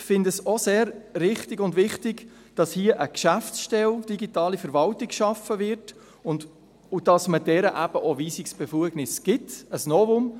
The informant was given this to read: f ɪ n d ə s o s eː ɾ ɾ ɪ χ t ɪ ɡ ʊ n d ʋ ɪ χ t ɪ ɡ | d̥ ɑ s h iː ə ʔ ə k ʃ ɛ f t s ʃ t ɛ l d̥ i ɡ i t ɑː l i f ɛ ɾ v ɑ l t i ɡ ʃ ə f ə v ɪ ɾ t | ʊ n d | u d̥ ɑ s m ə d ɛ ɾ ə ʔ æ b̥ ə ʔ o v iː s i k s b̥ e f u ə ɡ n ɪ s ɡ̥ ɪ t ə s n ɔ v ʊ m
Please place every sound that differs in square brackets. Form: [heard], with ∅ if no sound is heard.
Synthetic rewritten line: f ɪ n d ə s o s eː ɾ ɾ ɪ χ t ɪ ɡ ʊ n d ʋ ɪ χ t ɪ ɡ | d̥ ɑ s h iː ə ʔ ə k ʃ [æ] f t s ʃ t ɛ l d̥ i ɡ i t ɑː l i f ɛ ɾ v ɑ l t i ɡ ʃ [ɑ] f ə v ɪ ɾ t | ʊ n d | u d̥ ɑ s m ə d ɛ ɾ ə ʔ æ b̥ ə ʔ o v iː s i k s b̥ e f u ə ɡ n ɪ s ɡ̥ ɪ t ə s n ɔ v ʊ m